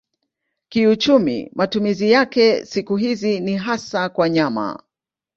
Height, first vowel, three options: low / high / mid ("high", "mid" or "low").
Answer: high